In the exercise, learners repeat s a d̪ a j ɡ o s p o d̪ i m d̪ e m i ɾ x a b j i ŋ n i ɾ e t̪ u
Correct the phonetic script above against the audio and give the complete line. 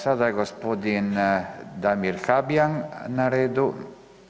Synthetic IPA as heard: s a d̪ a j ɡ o s p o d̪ i n d̪ a m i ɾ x a b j a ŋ n a ɾ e d̪ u